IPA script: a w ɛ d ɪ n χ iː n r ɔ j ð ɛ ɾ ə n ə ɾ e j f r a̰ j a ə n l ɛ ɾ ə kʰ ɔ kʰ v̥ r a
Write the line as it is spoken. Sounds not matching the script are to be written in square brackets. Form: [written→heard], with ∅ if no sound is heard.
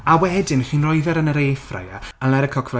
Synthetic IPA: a w ɛ d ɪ n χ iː n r ɔ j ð ɛ ɾ ə n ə ɾ e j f r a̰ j a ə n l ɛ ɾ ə kʰ ɔ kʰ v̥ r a